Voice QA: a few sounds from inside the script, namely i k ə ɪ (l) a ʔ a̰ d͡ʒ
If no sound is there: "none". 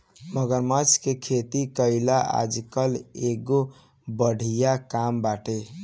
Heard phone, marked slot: l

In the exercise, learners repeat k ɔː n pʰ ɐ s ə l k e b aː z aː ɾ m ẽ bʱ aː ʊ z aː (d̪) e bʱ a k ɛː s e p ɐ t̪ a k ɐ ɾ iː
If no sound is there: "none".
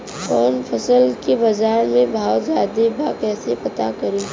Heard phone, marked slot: d̪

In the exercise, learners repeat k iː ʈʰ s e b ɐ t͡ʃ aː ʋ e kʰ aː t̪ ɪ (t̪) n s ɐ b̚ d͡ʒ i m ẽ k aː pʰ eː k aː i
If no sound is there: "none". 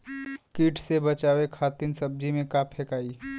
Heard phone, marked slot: none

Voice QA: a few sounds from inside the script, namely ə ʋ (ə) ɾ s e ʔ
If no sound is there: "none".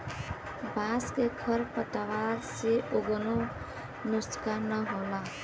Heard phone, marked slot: a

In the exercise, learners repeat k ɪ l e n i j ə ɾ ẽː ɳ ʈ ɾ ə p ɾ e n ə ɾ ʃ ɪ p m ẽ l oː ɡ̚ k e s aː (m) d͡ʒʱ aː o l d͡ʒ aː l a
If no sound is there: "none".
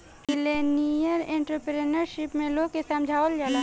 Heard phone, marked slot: m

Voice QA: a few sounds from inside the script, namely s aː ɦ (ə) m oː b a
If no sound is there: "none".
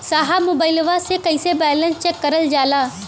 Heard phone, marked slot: a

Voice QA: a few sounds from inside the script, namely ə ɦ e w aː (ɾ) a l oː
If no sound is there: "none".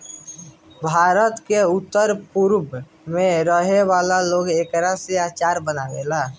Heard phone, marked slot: l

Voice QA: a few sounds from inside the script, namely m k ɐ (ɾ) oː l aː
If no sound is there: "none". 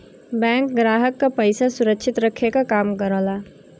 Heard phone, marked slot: ɾ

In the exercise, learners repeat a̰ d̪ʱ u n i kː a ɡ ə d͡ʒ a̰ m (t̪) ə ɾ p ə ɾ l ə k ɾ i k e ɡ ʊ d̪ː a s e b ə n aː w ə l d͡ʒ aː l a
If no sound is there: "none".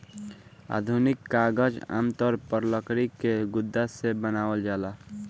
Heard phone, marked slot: t̪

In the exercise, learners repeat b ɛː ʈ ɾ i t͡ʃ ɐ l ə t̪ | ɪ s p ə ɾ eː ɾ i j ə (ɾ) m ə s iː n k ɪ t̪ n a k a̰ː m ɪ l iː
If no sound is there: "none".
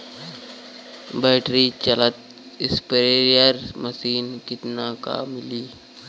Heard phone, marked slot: ɾ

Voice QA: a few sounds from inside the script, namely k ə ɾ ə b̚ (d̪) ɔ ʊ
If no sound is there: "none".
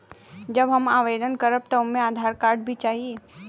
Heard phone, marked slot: t̪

